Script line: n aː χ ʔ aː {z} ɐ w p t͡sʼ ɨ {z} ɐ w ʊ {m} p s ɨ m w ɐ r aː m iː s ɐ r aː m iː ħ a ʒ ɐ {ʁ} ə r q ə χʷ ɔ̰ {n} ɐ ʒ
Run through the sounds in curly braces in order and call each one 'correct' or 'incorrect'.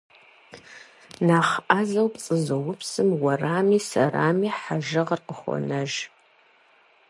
correct, correct, incorrect, correct, correct

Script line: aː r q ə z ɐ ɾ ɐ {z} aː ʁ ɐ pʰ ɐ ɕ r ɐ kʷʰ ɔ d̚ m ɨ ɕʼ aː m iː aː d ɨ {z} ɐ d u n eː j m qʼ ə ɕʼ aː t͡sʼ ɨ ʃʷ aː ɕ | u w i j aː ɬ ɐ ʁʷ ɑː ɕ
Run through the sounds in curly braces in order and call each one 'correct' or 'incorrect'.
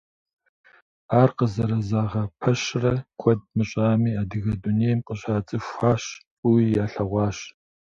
correct, incorrect

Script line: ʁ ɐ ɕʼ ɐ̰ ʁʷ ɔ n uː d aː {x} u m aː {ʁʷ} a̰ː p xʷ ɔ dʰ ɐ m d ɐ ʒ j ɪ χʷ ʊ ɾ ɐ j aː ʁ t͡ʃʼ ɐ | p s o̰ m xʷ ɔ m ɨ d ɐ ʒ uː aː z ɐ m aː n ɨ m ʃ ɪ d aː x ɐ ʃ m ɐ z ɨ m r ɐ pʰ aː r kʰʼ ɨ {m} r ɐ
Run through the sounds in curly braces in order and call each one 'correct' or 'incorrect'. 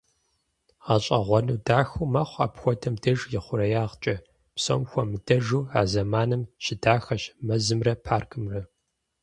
correct, incorrect, correct

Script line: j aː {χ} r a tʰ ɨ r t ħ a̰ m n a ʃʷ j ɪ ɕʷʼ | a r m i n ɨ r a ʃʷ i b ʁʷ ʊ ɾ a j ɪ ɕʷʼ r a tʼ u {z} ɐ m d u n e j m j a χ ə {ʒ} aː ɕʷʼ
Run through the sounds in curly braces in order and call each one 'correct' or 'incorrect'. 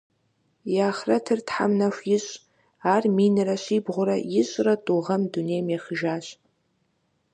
correct, incorrect, correct

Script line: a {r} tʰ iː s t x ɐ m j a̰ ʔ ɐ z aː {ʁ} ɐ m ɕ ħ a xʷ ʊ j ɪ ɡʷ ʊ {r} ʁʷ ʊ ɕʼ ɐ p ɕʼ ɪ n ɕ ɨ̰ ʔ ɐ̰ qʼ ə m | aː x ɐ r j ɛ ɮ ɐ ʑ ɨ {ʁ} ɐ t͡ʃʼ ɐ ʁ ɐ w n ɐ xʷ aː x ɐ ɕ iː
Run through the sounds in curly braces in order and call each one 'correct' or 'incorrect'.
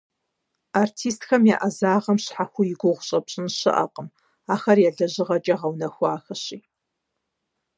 correct, correct, incorrect, correct

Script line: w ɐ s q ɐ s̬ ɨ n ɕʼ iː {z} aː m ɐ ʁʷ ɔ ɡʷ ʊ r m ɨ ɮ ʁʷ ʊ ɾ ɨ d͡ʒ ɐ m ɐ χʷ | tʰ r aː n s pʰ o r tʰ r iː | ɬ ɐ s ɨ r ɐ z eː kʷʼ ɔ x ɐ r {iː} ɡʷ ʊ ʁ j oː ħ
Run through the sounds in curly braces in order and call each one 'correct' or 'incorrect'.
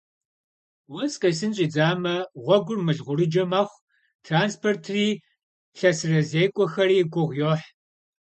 incorrect, correct

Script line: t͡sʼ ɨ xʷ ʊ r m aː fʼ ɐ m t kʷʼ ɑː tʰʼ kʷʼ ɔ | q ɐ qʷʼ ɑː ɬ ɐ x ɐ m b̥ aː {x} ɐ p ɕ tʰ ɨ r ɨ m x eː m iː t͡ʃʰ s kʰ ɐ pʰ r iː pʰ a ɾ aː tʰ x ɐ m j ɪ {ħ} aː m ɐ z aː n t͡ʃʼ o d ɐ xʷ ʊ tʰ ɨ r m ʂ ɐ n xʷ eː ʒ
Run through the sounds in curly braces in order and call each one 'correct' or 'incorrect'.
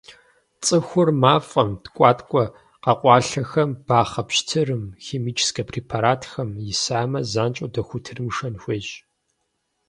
incorrect, incorrect

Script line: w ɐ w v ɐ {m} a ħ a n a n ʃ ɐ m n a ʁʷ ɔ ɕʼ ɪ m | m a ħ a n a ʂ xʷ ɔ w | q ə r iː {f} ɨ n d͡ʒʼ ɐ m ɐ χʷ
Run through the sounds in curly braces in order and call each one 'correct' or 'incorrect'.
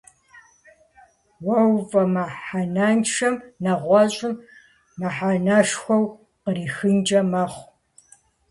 correct, incorrect

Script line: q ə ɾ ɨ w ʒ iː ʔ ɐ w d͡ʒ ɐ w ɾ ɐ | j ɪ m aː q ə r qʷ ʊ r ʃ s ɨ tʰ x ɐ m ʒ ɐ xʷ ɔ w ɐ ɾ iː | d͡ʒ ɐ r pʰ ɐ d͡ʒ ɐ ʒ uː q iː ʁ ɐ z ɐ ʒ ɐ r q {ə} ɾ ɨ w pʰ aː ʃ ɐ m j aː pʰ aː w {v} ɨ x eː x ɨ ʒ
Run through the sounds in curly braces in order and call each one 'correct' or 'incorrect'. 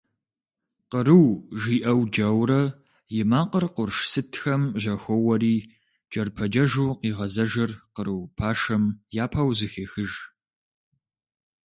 correct, incorrect

